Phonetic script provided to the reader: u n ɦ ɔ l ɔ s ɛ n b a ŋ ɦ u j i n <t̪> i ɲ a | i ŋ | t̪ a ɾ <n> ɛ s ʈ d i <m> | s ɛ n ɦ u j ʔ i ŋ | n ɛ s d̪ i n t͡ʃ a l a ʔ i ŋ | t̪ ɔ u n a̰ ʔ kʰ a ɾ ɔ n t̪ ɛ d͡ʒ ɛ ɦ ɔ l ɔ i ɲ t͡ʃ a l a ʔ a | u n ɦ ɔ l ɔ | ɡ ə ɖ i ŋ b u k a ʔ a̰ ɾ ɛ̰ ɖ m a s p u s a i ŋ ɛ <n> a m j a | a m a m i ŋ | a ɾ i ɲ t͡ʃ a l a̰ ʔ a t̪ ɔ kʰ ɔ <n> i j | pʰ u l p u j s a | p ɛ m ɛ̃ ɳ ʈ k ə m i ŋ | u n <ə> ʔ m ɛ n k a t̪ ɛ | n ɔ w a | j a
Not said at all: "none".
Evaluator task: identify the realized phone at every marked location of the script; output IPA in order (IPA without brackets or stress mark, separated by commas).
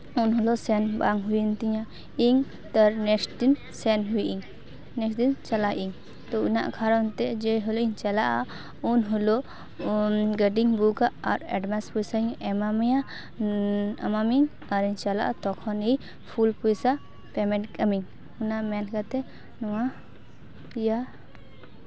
t̪, n, n, m, n, a